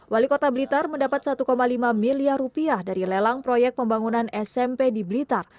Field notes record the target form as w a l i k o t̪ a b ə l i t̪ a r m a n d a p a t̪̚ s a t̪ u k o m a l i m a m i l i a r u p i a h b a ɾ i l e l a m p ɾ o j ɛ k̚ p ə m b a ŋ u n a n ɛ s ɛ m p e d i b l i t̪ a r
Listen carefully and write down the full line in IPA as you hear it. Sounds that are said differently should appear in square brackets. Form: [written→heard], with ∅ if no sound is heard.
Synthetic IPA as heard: w a l i k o t̪ a b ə l i t̪ a r m [a→ə] n d a p a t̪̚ s a t̪ u k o m a l i m a m i l i a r u p i a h [b→d] a ɾ i l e l a [m→ŋ] p ɾ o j ɛ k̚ p ə m b a ŋ u n a n ɛ s ɛ m p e d i b l i t̪ a r

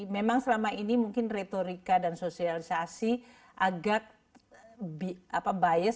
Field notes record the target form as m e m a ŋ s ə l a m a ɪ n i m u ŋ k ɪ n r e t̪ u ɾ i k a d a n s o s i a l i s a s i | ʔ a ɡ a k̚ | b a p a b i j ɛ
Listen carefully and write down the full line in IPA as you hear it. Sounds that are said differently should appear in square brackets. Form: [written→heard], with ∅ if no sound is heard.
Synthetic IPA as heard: m e m a ŋ s ə l a m a [ɪ→i] n i m u ŋ k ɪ n r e t̪ [u→o] ɾ i k a d a n s o s i a l i s a s i | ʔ a ɡ a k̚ | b a p a b [i→a] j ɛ

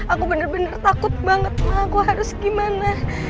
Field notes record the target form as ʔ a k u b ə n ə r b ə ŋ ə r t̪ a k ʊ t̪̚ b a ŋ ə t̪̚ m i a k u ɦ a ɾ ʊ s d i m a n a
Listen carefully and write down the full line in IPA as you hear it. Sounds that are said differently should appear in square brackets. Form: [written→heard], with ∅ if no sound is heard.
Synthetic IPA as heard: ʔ a k u b ə n ə r b ə [ŋ→n] ə r t̪ a k ʊ t̪̚ b a ŋ ə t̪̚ m [i→a] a k u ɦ a ɾ ʊ s [d→ɡ] i m a n a

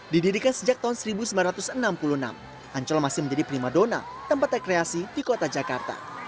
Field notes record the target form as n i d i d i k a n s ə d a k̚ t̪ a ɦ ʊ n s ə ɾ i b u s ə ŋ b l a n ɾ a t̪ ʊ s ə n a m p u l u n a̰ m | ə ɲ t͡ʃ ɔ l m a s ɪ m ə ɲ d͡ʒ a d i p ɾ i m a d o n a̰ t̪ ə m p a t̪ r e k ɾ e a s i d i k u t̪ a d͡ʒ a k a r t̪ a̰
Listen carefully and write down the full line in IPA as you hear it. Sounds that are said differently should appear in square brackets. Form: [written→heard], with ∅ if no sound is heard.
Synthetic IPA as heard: [n→d] i d i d i k a n s ə [d→d͡ʒ] a k̚ t̪ a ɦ ʊ n s ə ɾ i b u s ə [ŋ→m] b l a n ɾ a t̪ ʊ s ə n a m p u l u n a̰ m | [ə→a] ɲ t͡ʃ ɔ l m a s ɪ m ə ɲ d͡ʒ a d i p ɾ i m a d o n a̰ t̪ ə m p a t̪ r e k ɾ e a s i d i k [u→o] t̪ a d͡ʒ a k a r t̪ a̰

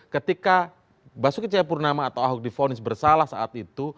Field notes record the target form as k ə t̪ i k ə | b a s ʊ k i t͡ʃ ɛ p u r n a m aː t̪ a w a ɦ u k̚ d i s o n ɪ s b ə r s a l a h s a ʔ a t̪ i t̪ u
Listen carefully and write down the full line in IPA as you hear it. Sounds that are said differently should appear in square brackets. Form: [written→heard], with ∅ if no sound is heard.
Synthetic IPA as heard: k ə t̪ i k [ə→a] | b a s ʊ k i t͡ʃ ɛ p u r n a m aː t̪ a w a ɦ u k̚ d i [s→f] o n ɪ s b ə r s a l a h s a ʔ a t̪ i t̪ u

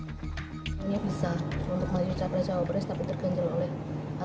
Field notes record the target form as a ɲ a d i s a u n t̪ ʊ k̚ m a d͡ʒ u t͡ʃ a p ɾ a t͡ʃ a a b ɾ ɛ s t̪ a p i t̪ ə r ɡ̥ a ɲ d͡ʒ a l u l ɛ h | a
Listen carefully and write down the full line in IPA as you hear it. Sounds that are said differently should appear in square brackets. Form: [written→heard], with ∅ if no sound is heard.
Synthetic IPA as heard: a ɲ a [d→b] i s a u n t̪ ʊ k̚ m a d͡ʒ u t͡ʃ a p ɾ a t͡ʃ a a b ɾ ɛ s t̪ a p i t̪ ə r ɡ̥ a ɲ d͡ʒ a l [u→o] l ɛ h | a

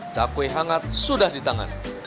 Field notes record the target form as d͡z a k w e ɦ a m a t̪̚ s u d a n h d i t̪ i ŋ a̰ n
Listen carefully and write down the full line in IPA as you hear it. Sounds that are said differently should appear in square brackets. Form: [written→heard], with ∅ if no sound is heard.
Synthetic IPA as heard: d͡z a k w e ɦ a [m→ŋ] a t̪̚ s u d a [n→∅] h d i t̪ [i→a] ŋ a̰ n

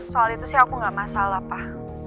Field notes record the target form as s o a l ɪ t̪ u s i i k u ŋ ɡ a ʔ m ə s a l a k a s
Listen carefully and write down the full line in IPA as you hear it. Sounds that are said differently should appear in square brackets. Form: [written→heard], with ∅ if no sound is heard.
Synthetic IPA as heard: s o a l [ɪ→i] t̪ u s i [i→a] k u ŋ ɡ a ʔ m [ə→a] s a l a [k→p] a [s→h]

